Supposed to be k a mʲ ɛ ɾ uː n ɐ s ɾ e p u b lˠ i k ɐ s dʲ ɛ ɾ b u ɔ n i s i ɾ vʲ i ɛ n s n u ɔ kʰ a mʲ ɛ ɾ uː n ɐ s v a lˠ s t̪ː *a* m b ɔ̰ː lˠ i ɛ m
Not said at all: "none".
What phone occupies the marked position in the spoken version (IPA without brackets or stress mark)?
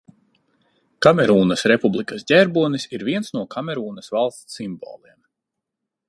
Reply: i